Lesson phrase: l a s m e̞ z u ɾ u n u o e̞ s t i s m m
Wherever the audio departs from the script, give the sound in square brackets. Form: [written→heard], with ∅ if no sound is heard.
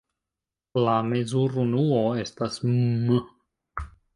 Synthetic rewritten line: l a [s→∅] m e̞ z u ɾ u n u o e̞ s t [i→a] s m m